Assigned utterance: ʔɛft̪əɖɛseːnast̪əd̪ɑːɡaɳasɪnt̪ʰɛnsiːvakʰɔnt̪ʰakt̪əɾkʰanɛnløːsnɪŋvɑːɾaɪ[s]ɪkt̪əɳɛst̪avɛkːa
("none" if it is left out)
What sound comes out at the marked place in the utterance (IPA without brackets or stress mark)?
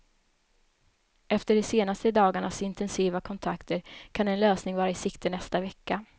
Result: s